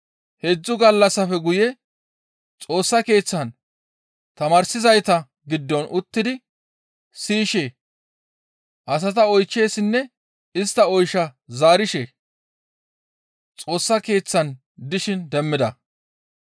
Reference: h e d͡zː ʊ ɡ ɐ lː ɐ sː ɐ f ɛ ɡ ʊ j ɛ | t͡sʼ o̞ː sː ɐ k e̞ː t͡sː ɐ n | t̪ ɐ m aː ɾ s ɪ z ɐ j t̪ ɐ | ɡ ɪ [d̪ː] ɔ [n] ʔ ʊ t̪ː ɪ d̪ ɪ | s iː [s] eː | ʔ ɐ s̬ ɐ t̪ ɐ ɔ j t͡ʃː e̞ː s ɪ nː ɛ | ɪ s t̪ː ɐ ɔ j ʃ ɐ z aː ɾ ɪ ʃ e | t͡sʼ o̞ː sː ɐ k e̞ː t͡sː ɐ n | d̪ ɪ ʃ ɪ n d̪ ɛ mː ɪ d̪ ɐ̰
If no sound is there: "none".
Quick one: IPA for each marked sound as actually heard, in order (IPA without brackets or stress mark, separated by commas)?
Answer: d̪ː, n, ʃ